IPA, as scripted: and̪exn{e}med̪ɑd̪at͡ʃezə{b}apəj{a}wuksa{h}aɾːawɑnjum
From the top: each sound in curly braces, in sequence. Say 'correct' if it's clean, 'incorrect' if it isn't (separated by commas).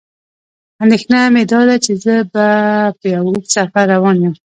incorrect, correct, correct, incorrect